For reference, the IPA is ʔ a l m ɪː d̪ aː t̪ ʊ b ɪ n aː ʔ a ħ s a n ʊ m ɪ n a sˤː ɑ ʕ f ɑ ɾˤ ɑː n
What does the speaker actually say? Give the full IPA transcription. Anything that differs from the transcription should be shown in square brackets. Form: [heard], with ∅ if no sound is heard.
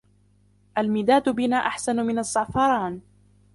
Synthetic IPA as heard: ʔ a l m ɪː d̪ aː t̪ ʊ b ɪ n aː ʔ a ħ s a n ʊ m ɪ n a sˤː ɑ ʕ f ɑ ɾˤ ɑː n